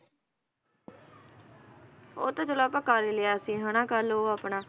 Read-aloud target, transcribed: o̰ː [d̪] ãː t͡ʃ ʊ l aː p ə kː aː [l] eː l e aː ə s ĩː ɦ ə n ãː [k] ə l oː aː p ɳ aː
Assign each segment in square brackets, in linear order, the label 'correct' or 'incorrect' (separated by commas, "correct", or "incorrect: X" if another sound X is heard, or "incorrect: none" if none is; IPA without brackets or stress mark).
incorrect: t̪, incorrect: ɾ, correct